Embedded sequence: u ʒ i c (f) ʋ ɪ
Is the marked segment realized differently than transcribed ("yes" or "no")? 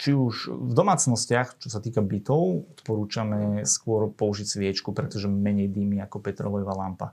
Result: yes